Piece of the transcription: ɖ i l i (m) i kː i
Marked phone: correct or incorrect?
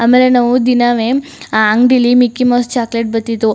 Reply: correct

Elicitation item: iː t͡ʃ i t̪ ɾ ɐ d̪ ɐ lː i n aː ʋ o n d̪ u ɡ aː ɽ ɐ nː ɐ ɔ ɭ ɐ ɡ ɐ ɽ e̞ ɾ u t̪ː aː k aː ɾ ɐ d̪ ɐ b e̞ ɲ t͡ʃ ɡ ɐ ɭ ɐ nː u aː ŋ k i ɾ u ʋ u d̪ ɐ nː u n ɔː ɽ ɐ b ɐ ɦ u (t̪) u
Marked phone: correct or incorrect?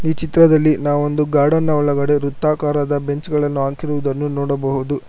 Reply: incorrect: d̪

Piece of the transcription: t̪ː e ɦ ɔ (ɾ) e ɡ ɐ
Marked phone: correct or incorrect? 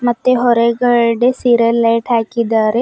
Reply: correct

